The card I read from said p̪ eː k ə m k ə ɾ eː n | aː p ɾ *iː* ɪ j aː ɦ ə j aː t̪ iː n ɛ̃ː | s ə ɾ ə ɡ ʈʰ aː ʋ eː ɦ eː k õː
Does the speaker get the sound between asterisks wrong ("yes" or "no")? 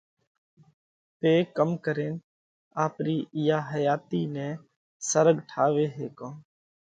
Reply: no